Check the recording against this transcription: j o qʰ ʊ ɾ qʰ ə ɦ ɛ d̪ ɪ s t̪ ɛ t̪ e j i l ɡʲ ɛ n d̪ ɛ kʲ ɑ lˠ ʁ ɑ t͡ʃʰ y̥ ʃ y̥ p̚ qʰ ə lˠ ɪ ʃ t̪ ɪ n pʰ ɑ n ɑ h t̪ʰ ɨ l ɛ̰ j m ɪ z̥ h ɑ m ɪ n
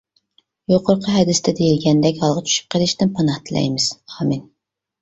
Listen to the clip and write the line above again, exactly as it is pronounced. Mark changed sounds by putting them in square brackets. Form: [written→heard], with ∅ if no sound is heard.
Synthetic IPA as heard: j o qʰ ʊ ɾ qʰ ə ɦ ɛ d̪ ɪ s t̪ ɛ [t̪→d̪] e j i l ɡʲ ɛ n d̪ ɛ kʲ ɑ lˠ ʁ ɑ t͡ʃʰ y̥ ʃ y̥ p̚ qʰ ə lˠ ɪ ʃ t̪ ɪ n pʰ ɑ n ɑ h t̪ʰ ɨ l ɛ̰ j m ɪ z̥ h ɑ m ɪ n